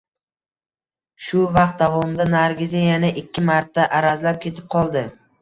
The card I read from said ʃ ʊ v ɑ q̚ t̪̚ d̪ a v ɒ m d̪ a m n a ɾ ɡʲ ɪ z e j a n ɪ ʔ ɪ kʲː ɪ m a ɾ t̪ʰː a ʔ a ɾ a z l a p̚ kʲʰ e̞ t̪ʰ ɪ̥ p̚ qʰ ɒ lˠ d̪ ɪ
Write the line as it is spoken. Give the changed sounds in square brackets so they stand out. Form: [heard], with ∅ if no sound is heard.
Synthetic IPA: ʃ ʊ v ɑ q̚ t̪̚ d̪ a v ɒ m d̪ a [∅] n a ɾ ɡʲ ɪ z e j a n ɪ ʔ ɪ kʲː ɪ m a ɾ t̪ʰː a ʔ a ɾ a z l a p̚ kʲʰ e̞ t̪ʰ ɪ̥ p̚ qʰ ɒ lˠ d̪ ɪ